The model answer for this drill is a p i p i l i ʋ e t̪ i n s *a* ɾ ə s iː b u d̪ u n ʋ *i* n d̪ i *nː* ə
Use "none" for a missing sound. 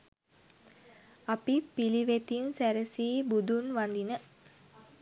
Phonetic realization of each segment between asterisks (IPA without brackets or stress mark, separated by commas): æ, a, n